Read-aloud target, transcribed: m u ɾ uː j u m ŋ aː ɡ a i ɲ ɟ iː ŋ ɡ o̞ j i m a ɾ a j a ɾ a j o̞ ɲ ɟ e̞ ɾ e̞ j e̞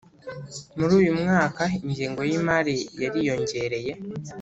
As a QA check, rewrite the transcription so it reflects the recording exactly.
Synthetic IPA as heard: m u ɾ uː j u m ŋ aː k a i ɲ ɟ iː ŋ ɡ o̞ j i m a ɾ i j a ɾ i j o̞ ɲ ɟ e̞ ɾ e̞ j e̞